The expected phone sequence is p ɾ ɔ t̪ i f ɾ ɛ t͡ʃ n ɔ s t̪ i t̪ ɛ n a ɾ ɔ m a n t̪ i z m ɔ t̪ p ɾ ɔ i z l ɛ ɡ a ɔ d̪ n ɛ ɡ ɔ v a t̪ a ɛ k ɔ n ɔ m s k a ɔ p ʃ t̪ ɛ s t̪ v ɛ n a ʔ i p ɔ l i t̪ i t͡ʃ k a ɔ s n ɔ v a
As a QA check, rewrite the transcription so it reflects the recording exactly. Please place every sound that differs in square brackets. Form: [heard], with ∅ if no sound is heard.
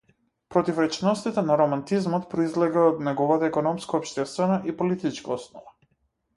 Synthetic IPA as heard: p ɾ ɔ t̪ i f ɾ ɛ t͡ʃ n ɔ s t̪ i t̪ ɛ n a ɾ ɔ m a n t̪ i z m ɔ t̪ p ɾ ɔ i z l ɛ ɡ a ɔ d̪ n ɛ ɡ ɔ v a t̪ a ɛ k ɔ n ɔ m s k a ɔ p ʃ t̪ ɛ s t̪ v ɛ n a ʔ i p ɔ l i t̪ i t͡ʃ k a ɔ s n ɔ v a